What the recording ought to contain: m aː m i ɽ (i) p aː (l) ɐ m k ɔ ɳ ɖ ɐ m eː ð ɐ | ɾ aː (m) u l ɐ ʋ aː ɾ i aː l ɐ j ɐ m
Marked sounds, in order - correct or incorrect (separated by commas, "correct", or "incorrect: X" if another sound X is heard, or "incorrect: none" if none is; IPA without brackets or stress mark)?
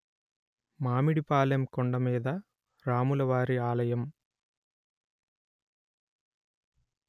correct, correct, correct